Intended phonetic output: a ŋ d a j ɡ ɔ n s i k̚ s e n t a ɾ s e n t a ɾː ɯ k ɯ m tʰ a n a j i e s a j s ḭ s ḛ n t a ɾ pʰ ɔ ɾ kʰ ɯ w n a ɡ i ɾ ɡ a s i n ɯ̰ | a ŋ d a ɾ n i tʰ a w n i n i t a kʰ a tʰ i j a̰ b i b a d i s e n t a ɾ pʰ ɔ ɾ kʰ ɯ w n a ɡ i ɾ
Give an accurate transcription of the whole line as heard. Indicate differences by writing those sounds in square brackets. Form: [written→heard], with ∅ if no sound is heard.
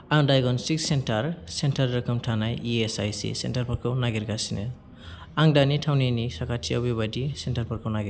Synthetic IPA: a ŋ d a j ɡ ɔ n s i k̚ s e n t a ɾ s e n t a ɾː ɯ k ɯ m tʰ a n a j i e s a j s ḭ s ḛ n t a ɾ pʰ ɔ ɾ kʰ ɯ w n a ɡ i ɾ ɡ a s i n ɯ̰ | a ŋ d a [ɾ→∅] n i tʰ a w n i n i [t→s] a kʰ a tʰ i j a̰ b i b a d i s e n t a ɾ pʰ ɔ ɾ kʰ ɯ w n a ɡ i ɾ